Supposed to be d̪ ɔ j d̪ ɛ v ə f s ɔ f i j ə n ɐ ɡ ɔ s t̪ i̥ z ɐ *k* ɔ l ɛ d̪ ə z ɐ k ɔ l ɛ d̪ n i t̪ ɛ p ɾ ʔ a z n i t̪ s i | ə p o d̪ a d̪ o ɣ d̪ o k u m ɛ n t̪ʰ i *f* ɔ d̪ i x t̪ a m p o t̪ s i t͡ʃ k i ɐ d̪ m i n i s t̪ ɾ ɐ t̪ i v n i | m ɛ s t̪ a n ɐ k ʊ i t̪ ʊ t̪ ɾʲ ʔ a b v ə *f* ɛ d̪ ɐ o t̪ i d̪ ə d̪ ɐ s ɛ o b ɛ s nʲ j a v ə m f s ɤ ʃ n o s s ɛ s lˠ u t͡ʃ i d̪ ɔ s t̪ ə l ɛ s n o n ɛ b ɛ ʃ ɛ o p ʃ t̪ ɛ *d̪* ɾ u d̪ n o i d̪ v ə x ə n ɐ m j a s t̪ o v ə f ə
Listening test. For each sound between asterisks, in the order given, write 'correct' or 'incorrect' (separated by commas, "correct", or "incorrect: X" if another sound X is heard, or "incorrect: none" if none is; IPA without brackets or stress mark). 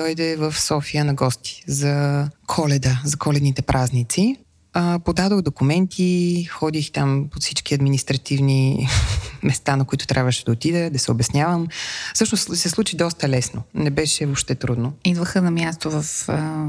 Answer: incorrect: kʰ, incorrect: x, incorrect: ʃ, incorrect: t̪